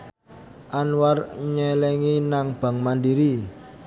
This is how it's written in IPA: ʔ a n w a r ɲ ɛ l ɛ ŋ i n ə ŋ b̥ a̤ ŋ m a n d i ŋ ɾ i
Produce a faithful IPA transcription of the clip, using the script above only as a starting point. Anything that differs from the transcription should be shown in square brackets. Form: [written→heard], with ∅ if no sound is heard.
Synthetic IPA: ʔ a n w a r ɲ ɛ l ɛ ŋ i n [ə→a] ŋ b̥ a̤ ŋ m a n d i [ŋ→∅] ɾ i